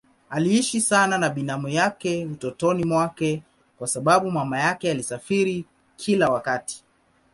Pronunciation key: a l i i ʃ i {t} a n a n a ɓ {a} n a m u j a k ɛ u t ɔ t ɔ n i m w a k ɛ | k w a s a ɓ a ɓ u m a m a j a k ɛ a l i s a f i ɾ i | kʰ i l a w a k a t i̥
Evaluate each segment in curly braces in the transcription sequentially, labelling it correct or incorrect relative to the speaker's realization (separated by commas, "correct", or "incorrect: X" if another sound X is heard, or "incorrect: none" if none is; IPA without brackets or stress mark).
incorrect: s, incorrect: i